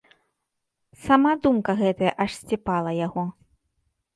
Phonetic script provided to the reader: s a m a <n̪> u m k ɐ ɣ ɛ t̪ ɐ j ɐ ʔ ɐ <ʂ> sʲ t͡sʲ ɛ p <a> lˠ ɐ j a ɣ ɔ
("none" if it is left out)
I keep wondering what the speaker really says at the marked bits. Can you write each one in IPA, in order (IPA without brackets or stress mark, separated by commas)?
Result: d̪, ʂ, a